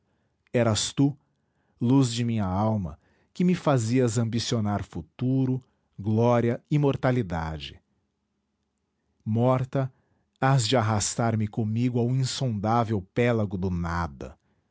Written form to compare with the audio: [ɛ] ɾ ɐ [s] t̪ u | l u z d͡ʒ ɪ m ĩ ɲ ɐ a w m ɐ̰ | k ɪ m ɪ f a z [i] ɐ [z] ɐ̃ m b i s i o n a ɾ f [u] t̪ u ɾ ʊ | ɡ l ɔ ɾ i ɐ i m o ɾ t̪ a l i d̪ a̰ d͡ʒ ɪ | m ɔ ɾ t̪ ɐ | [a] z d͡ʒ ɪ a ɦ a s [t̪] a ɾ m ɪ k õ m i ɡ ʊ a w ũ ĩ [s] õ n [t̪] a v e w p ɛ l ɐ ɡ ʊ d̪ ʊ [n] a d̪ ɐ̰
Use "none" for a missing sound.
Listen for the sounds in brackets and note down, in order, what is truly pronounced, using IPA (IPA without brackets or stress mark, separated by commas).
ɛ, s, i, z, u, a, t̪, s, d̪, n